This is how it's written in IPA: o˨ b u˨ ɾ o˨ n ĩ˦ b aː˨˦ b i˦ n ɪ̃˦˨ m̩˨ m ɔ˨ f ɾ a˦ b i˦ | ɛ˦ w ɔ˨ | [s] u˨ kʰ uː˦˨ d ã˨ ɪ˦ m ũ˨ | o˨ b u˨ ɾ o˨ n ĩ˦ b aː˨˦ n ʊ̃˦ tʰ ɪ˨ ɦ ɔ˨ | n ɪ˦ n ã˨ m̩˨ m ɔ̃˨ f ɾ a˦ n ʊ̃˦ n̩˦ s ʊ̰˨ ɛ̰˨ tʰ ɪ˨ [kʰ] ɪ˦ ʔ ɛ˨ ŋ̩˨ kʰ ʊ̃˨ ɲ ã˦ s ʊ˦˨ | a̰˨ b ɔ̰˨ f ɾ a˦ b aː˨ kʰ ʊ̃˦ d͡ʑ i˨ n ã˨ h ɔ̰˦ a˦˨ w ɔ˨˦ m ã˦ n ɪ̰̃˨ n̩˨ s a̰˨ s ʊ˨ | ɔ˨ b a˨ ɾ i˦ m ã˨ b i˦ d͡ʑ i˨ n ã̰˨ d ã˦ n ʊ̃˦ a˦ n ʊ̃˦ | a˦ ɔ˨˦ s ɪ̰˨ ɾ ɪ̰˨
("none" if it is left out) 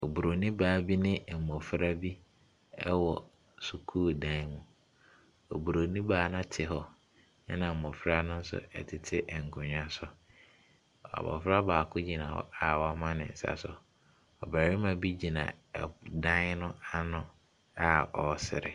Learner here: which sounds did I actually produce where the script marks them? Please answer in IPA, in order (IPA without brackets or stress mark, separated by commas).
s, tʰ